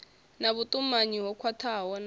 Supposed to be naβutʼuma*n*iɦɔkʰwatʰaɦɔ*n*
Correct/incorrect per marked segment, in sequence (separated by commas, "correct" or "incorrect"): incorrect, correct